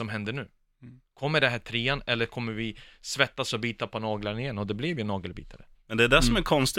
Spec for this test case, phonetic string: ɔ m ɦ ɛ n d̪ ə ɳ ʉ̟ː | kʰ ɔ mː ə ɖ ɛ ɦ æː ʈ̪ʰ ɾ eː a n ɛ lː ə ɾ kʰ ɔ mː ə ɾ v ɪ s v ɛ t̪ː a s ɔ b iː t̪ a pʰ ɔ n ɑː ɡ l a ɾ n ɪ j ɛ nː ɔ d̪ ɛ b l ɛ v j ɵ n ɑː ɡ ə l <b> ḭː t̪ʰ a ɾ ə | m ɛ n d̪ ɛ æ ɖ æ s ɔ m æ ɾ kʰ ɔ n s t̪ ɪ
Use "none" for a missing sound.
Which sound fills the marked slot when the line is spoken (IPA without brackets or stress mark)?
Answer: b